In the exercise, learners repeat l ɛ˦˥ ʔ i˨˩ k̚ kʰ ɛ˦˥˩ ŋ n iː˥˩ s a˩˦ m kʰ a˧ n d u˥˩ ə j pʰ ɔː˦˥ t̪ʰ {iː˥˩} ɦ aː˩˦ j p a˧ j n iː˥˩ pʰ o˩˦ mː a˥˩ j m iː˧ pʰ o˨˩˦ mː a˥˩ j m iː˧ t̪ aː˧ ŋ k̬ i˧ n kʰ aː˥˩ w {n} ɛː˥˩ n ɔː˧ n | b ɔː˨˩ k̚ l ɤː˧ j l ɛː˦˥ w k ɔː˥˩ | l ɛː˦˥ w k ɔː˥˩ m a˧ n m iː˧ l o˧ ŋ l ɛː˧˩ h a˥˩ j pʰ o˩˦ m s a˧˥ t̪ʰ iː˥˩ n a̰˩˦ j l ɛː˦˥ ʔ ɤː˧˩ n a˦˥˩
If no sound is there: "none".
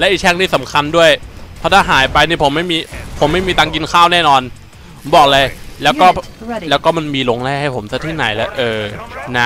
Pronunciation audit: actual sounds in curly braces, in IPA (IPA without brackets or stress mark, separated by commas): aː˥˩, n